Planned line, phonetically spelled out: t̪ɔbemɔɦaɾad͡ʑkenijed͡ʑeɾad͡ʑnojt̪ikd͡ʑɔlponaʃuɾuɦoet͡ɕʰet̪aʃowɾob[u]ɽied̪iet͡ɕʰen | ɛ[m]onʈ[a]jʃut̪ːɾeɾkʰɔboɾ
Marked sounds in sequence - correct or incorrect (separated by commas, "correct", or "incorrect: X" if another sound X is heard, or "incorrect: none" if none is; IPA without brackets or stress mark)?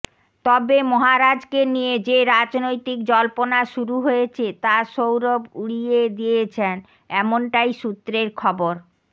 correct, correct, correct